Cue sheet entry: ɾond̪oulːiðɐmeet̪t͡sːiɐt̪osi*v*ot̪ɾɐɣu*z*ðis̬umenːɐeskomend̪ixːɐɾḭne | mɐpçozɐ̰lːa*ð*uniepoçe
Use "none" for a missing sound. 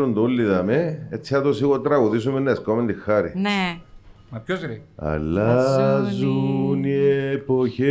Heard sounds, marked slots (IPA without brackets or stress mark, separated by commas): ɣ, none, z